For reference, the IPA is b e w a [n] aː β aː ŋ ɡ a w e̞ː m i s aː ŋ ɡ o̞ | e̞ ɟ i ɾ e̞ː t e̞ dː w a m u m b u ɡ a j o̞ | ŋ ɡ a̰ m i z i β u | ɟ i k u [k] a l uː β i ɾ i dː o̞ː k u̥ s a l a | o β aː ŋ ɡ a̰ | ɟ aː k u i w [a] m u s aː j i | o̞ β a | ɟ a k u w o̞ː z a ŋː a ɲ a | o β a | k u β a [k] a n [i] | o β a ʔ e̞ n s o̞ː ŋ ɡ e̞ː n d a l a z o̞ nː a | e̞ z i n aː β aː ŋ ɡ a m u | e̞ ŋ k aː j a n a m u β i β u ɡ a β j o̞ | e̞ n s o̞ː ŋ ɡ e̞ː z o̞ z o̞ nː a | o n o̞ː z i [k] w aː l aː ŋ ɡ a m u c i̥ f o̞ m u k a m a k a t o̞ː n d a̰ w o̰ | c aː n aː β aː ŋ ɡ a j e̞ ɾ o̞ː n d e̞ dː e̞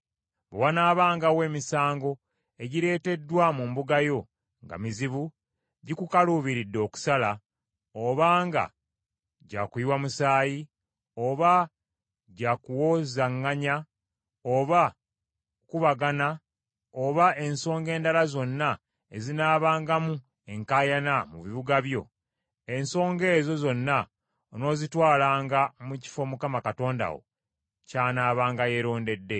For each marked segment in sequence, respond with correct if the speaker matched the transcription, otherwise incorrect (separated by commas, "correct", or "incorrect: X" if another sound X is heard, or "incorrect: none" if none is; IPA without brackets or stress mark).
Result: correct, correct, correct, incorrect: ɡ, incorrect: a, incorrect: t